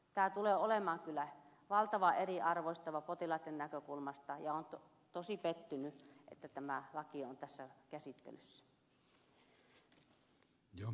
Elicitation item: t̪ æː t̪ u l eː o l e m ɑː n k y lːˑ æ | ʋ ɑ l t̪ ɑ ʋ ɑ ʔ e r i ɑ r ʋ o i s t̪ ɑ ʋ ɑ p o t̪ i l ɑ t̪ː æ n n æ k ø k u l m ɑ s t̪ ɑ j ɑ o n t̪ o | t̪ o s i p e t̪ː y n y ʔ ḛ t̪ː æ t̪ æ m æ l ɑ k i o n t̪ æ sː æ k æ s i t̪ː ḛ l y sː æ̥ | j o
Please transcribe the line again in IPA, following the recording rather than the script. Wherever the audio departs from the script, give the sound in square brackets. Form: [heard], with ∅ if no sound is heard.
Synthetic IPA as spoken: t̪ æː t̪ u l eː o l e m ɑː [ŋ] k y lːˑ æ | ʋ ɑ l t̪ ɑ ʋ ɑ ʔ e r i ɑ r ʋ o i s t̪ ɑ ʋ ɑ p o t̪ i l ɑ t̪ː [e] n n æ k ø k u l m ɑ s t̪ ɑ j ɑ o n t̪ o | t̪ o s i p e t̪ː y n y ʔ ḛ t̪ː æ t̪ æ m æ l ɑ k i o n t̪ æ sː æ k æ s i t̪ː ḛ l y sː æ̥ | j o